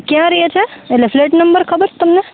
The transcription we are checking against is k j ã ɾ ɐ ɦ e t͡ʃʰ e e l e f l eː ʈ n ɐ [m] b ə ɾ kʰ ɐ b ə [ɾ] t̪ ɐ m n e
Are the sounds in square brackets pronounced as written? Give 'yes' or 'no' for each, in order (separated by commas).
yes, yes